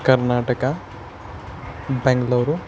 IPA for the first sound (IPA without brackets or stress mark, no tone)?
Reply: k